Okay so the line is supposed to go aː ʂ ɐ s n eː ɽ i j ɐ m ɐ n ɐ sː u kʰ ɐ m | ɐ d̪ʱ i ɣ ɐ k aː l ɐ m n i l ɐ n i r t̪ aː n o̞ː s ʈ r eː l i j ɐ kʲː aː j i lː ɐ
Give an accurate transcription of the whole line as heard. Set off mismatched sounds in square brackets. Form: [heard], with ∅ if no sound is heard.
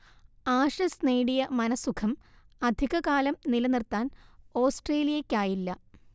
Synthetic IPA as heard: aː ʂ ɐ s n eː ɽ i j ɐ m ɐ n ɐ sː u kʰ ɐ m | ɐ d̪ʱ i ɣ ɐ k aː l ɐ m n i l ɐ n i r t̪ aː n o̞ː s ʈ r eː l i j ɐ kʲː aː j i lː ɐ